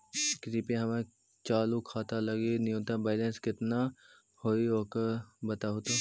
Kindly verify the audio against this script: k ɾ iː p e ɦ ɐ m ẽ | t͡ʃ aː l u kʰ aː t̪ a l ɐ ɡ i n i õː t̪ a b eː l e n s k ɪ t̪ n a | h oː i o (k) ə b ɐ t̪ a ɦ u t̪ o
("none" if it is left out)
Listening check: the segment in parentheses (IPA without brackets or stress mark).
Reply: k